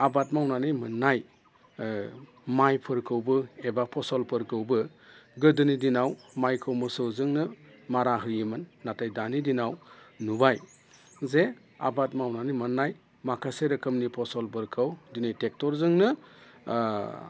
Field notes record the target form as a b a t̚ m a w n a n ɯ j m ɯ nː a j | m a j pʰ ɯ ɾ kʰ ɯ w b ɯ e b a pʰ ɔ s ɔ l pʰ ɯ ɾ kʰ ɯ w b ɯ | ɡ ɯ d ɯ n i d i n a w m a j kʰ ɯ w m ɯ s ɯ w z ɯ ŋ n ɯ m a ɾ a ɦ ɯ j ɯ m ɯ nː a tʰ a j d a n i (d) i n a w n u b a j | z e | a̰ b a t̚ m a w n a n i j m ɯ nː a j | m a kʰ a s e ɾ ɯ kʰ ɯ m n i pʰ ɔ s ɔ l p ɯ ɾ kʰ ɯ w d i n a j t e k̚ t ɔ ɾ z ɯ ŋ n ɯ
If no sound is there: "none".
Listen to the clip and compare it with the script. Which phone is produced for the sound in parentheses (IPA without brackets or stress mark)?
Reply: d